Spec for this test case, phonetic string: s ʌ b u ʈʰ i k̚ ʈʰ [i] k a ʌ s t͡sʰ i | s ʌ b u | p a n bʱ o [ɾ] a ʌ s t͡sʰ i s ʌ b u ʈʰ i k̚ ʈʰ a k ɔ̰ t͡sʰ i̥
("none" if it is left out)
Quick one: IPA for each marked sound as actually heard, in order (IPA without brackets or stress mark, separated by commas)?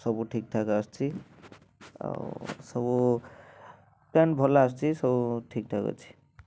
a, l